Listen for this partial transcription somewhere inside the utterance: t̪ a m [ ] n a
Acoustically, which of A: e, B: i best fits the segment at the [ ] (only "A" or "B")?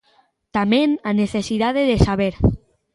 A